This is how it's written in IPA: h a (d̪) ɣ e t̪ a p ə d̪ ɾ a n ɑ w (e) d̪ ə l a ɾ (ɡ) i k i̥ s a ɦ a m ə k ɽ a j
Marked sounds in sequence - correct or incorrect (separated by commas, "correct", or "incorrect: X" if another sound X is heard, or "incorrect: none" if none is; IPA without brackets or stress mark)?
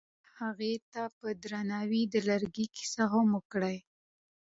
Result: incorrect: none, incorrect: i, correct